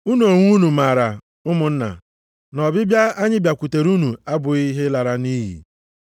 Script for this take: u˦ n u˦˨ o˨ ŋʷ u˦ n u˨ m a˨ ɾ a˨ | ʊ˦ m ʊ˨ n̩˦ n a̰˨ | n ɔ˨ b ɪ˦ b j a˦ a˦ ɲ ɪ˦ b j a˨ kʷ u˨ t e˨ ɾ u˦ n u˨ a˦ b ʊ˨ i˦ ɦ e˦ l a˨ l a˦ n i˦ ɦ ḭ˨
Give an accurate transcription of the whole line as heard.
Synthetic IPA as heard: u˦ n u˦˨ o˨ ŋʷ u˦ n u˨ m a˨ ɾ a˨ | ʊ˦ m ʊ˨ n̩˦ n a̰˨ | n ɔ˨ b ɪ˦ b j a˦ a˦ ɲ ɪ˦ b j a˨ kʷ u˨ t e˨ ɾ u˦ n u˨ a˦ b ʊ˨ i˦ ɦ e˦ l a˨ ɾ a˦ n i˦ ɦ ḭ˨